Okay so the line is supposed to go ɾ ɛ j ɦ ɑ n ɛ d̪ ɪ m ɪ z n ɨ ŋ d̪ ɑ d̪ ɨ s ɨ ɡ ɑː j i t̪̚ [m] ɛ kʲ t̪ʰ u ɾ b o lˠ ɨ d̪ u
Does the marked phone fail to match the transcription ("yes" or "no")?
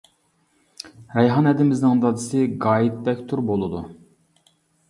yes